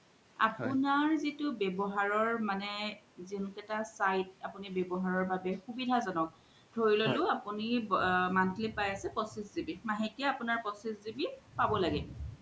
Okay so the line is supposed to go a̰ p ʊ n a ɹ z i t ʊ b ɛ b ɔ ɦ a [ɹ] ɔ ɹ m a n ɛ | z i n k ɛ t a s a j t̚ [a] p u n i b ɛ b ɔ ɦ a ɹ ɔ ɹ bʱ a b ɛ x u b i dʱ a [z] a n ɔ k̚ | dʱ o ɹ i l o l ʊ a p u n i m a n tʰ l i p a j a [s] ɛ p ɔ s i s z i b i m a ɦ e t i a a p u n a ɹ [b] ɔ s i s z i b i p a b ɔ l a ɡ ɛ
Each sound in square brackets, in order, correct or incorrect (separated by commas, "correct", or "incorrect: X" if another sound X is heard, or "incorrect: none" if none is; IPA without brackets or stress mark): correct, correct, correct, correct, incorrect: p